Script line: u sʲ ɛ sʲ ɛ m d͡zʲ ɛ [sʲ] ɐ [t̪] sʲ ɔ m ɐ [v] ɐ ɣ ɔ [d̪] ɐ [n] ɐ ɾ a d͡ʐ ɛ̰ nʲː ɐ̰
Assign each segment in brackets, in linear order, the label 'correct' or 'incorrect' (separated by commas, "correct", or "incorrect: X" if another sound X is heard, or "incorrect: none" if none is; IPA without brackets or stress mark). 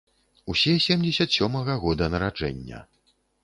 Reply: correct, correct, incorrect: ɣ, correct, correct